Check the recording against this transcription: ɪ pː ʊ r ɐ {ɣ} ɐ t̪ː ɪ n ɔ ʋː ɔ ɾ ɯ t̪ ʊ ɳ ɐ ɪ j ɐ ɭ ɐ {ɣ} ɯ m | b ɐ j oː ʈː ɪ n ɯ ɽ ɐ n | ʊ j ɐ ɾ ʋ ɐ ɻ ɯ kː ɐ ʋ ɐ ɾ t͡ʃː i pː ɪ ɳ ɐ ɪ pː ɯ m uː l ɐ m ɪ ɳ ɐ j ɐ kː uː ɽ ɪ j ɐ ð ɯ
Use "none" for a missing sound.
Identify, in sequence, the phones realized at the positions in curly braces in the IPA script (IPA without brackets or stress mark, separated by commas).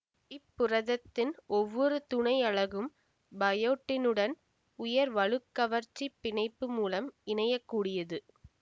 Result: ð, ɣ